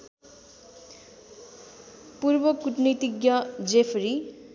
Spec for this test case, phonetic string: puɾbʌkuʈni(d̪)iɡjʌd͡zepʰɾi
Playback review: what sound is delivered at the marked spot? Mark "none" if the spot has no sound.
t̪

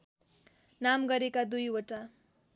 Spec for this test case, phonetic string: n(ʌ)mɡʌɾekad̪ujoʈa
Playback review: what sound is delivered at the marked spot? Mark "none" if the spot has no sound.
a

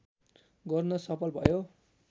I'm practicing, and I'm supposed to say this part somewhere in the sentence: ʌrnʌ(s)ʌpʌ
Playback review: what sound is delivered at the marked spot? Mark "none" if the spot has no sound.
s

